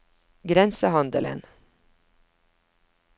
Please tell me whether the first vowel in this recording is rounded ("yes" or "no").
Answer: no